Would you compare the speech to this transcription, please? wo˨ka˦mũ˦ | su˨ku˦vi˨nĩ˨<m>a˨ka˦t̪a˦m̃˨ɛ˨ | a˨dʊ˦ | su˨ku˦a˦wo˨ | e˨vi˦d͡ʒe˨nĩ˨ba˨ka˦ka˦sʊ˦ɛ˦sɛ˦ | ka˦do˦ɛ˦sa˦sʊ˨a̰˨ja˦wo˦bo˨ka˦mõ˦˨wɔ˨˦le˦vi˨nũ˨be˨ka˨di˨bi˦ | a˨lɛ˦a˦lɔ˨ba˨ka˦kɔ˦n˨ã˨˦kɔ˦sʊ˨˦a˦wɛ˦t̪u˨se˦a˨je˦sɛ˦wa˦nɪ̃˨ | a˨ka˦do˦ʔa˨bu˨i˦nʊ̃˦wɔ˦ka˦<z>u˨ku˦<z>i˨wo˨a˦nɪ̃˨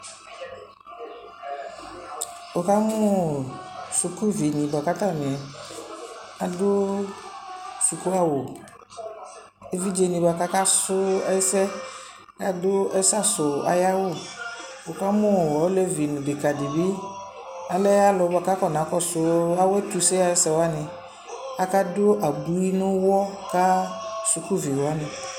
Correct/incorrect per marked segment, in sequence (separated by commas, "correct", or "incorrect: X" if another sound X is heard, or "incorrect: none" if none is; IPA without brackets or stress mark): incorrect: b, incorrect: s, incorrect: v